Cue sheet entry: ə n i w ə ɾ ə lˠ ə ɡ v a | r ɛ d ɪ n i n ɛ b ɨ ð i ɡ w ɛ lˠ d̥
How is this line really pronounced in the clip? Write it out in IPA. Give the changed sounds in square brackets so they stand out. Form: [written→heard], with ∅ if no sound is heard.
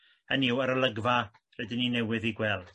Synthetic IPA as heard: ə n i w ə ɾ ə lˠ ə ɡ v a | r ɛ d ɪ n i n ɛ [b→w] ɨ ð i ɡ w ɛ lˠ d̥